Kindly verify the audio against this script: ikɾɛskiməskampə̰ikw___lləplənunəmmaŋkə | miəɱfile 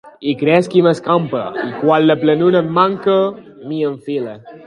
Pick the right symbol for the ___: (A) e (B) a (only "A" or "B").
B